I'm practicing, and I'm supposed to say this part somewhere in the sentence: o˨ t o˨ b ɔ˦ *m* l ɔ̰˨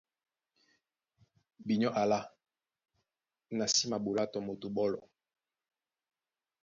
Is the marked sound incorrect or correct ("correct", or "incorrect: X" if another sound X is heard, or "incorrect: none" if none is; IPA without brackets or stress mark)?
incorrect: none